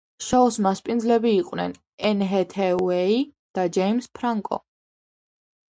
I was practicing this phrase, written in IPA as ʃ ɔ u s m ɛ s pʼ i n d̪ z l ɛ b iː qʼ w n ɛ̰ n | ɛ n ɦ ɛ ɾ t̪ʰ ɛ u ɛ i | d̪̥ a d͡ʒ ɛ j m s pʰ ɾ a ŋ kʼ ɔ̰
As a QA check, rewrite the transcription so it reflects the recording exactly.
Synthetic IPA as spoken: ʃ ɔ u s m a s pʼ i n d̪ z l ɛ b iː qʼ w n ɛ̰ n | ɛ n ɦ ɛ t̪ʰ ɛ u ɛ i | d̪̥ a d͡ʒ ɛ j m s pʰ ɾ a ŋ kʼ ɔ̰